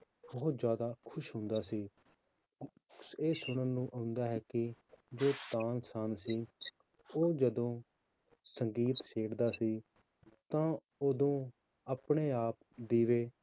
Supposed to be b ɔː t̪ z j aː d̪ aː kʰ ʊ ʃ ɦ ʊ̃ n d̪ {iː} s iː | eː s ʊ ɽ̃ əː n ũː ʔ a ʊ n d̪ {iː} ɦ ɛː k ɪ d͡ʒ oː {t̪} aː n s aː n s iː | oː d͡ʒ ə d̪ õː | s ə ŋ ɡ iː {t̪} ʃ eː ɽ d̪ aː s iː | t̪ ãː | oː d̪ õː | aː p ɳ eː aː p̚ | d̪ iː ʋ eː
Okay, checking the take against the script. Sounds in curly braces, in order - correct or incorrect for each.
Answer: incorrect: aː, incorrect: aː, correct, correct

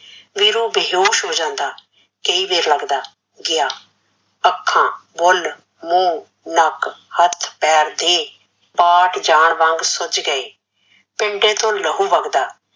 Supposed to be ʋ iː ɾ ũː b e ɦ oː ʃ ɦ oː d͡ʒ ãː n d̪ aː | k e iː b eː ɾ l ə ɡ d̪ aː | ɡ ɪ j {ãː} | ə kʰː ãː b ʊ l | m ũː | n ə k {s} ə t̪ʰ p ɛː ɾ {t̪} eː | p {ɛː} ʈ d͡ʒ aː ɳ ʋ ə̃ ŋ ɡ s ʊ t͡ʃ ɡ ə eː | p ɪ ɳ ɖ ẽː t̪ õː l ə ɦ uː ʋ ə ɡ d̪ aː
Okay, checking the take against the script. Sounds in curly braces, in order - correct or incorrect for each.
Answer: incorrect: aː, incorrect: h, incorrect: d̪, incorrect: aː

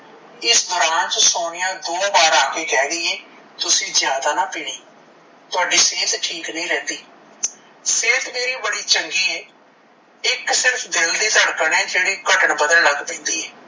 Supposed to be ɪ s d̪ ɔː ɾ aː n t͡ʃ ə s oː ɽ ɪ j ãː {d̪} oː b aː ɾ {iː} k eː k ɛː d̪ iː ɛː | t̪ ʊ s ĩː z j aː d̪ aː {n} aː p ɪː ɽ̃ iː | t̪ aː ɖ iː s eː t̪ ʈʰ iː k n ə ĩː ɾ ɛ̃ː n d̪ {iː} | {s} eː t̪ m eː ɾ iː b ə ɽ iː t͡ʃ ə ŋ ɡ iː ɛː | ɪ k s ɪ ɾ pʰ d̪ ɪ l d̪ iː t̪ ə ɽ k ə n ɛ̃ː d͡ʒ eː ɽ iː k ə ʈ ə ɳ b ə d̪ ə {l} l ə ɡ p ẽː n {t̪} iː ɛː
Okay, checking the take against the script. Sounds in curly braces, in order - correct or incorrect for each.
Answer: correct, incorrect: aː, correct, correct, correct, correct, incorrect: d̪

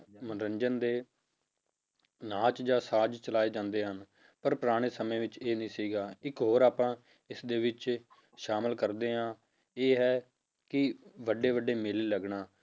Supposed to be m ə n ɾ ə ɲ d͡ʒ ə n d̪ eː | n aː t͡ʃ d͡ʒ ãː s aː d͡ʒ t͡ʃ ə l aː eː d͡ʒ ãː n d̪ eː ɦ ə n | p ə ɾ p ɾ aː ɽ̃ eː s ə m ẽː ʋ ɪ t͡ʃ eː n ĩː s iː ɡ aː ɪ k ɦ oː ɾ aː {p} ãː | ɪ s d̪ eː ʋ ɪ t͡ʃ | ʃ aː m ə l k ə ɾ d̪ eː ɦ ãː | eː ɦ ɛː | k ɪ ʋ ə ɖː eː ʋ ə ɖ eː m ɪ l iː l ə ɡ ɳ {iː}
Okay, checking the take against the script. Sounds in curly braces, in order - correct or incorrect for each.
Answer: correct, incorrect: aː

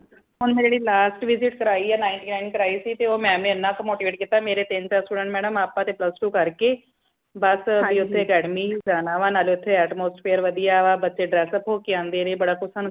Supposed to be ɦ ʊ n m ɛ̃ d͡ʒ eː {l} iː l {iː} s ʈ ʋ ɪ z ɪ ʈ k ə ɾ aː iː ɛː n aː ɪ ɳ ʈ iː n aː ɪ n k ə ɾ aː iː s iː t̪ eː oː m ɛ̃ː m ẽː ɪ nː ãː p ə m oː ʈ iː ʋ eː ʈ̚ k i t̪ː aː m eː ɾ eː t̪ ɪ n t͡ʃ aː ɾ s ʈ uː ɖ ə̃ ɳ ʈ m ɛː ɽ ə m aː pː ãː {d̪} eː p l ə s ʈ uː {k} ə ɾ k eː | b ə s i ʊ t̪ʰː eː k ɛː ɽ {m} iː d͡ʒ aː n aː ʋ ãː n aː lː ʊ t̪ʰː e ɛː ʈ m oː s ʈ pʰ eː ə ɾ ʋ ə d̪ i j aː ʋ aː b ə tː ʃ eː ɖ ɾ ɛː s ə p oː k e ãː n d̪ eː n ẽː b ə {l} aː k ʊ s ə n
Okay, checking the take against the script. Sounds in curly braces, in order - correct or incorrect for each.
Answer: incorrect: ɽ, incorrect: aː, incorrect: t̪, correct, correct, incorrect: ɽ

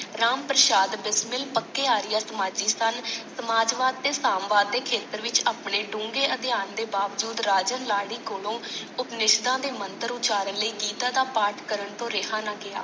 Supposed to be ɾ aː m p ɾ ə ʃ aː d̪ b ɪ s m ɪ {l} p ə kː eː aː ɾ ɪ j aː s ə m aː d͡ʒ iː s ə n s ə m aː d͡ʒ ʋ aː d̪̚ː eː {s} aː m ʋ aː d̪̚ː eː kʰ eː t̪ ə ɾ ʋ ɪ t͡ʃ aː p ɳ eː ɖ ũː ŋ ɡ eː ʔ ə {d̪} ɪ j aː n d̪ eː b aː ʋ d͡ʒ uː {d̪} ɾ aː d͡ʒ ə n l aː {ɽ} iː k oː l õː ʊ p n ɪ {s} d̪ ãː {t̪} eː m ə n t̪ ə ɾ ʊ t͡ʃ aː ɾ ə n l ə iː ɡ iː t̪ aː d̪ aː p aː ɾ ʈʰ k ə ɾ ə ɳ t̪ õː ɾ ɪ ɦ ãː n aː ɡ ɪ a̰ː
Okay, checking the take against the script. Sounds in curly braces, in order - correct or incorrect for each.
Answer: correct, correct, correct, correct, correct, incorrect: ʃ, incorrect: d̪

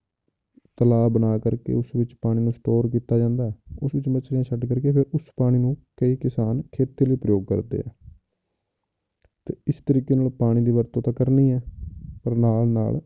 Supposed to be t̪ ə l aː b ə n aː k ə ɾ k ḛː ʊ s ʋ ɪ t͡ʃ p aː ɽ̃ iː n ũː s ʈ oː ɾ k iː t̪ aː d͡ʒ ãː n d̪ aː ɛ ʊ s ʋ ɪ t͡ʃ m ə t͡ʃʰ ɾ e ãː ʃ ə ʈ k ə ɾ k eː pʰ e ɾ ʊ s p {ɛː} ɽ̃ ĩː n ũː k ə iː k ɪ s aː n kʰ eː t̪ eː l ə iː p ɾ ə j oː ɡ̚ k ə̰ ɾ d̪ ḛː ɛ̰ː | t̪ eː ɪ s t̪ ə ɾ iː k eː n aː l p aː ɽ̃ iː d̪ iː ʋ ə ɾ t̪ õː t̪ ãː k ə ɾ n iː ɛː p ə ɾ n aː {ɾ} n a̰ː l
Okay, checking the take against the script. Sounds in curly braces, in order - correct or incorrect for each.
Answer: incorrect: aː, incorrect: l

